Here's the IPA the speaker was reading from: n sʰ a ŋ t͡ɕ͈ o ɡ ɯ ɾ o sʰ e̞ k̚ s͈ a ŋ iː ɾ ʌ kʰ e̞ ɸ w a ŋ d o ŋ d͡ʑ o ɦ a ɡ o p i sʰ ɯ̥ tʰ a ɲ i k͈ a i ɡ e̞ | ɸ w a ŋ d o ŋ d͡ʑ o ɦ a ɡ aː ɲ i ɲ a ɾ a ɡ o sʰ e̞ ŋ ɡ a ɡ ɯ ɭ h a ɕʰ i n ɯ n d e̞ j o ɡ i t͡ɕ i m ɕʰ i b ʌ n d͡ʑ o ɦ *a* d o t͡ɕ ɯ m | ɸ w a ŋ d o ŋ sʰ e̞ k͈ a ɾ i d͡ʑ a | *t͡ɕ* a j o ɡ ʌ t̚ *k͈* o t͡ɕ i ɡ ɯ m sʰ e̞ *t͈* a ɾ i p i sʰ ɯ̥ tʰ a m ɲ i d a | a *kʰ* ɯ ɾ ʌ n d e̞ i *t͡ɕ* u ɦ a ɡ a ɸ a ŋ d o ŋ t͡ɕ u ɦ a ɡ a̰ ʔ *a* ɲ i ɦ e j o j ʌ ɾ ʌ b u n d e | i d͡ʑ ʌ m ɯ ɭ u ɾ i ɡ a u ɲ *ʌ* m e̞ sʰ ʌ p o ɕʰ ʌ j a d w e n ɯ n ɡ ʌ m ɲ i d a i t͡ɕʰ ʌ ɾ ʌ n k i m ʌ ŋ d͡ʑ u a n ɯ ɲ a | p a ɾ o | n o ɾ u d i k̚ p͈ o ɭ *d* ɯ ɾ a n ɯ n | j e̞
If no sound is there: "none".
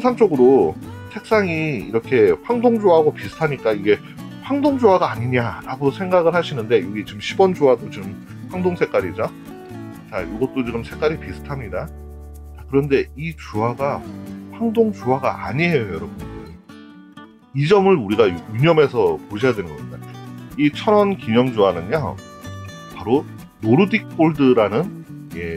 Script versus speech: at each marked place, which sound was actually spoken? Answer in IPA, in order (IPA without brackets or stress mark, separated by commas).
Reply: a, t͡ɕ, t͈, k͈, k, t͡ɕ, a, ʌ, d